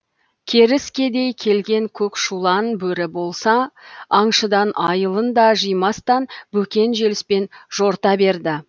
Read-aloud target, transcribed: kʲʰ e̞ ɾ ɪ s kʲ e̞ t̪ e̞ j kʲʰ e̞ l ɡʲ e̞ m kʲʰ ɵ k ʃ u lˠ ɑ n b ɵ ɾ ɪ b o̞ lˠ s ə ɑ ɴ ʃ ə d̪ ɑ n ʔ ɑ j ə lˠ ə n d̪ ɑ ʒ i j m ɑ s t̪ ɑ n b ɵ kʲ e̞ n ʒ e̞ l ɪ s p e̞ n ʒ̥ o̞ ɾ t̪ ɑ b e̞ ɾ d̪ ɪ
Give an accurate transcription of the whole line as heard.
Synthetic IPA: kʲʰ e̞ ɾ ɪ s kʲ e̞ d̪ e̞ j kʲʰ e̞ l ɡʲ e̞ ŋ kʲʰ ɵ k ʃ u lˠ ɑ n b ɵ ɾ ɪ b o̞ lˠ s ɑ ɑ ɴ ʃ ə d̪ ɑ n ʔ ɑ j ə lˠ ə n d̪ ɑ ʒ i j m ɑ s t̪ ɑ n b ɵ kʲ e̞ n ʒ e̞ l ɪ s p e̞ n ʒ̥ o̞ ɾ t̪ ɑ b e̞ ɾ d̪ ɪ